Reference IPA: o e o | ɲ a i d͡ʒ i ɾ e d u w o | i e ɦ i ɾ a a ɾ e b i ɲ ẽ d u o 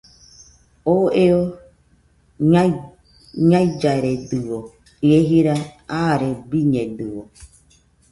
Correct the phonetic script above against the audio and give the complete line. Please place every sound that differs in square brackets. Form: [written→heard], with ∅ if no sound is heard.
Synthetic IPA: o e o | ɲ a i d͡ʒ [i→a] ɾ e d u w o | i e ɦ i ɾ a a ɾ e b i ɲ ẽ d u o